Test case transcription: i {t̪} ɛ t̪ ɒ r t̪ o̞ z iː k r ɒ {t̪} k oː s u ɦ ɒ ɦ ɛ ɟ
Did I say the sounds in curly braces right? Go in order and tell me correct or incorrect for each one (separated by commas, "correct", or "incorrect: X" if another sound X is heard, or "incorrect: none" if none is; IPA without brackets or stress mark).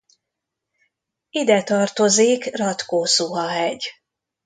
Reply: incorrect: d̪, correct